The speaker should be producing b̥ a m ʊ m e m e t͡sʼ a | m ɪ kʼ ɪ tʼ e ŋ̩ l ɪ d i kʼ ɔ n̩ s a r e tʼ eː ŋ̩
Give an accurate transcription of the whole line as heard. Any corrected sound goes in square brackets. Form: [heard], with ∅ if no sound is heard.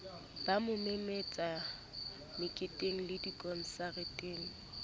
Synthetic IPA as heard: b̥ a m ʊ m e m e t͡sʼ a | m ɪ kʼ ɪ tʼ e ŋ̩ l ɪ d i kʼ ɔ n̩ s a r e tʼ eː ŋ̩

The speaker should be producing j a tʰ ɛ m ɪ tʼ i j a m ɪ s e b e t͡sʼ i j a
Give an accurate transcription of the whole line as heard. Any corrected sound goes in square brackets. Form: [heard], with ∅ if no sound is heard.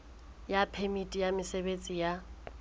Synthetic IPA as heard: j a [pʰ] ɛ m [i] tʼ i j a m ɪ s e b e t͡sʼ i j a

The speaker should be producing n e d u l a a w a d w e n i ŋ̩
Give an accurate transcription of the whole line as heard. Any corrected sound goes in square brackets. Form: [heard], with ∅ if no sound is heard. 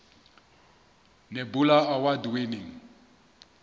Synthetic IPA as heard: n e [b] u l a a w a d w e n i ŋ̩

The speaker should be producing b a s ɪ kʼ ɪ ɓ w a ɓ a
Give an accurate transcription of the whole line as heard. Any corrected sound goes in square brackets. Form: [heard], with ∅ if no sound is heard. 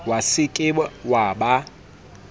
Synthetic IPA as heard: [w] a s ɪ kʼ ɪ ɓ w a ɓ a

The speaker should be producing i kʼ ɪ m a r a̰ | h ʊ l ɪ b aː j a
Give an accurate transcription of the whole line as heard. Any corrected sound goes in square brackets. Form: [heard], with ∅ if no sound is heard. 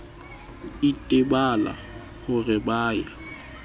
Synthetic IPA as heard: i [tʼ] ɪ [b] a [l] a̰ | h ʊ [r] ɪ b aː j a

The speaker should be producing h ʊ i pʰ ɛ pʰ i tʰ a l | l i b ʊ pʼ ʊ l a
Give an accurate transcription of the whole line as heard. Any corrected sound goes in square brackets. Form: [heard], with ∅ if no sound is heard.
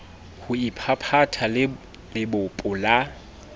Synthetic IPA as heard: h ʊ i pʰ [a] pʰ [a] tʰ a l | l [ɪ] b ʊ pʼ ʊ l a

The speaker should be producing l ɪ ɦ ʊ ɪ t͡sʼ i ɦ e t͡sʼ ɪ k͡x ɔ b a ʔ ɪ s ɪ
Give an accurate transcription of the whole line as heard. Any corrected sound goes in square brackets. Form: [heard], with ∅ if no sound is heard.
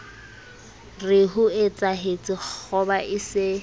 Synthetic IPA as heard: [r] ɪ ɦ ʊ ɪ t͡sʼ [a] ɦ e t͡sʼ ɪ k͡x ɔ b a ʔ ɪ s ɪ

